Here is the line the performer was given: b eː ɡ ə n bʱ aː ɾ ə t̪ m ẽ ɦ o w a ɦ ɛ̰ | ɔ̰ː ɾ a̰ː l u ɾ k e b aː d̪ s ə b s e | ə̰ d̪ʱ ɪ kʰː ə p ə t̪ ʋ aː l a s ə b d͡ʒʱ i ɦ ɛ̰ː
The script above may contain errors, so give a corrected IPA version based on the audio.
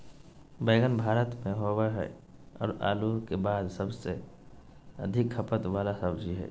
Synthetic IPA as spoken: b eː ɡ ə n bʱ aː ɾ ə t̪ m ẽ ɦ o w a ɦ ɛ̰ | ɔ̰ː ɾ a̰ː l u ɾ k e b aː d̪ s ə b s e | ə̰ d̪ʱ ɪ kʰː ə p ə t̪ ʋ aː l a s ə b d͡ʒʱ i ɦ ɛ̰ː